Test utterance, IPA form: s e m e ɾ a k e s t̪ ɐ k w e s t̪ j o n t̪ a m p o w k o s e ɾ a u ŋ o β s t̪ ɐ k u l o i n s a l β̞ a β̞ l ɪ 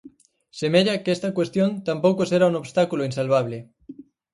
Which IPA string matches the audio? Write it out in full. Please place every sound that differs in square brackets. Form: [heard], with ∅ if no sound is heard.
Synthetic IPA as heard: s e m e [ʎ] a k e s t̪ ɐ k w e s t̪ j o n t̪ a m p o w k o s e ɾ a u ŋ o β s t̪ [a] k u l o i n s a l β̞ a β̞ l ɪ